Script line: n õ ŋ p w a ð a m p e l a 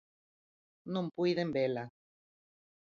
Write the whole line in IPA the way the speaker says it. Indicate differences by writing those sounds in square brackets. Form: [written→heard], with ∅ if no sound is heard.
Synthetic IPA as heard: n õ [ŋ→m] p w [a→i] ð [a→e] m [p→b] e l a

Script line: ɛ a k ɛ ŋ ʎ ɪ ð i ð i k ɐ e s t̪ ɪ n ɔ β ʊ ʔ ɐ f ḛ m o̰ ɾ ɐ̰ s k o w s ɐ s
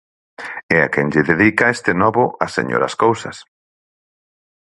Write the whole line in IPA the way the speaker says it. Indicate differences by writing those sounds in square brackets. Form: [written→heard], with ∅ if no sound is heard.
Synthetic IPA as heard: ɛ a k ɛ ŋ ʎ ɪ ð [i→e] ð i k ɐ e s t̪ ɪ n ɔ β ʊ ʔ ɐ [f→s] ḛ [m→ɲ] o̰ ɾ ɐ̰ s k o w s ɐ s

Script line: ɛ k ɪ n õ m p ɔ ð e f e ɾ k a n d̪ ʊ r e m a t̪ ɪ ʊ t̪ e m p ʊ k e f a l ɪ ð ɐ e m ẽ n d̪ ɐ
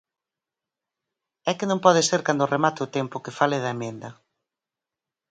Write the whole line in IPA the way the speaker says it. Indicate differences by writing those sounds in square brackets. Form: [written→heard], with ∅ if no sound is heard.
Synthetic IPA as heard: ɛ k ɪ n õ m p ɔ ð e [f→s] e ɾ k a n d̪ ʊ r e m a t̪ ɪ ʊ t̪ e m p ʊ k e f a l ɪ ð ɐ e m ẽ n d̪ ɐ

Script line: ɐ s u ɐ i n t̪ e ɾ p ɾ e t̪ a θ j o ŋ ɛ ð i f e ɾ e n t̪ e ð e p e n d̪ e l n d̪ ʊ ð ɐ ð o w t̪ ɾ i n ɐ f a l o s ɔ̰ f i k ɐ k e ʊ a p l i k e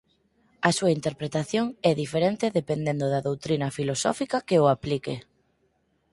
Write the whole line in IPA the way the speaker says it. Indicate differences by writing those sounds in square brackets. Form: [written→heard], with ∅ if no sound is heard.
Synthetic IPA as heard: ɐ s u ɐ i n t̪ e ɾ p ɾ e t̪ a θ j o ŋ ɛ ð i f e ɾ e n t̪ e ð e p e n d̪ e [l→∅] n d̪ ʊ ð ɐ ð o w t̪ ɾ i n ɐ f [a→i] l o s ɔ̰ f i k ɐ k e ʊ a p l i k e

